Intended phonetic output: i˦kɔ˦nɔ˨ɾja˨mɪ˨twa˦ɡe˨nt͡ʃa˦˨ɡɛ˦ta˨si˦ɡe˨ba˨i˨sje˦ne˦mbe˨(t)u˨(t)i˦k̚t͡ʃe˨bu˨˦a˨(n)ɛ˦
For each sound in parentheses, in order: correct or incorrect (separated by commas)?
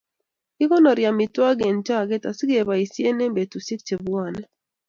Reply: correct, incorrect, correct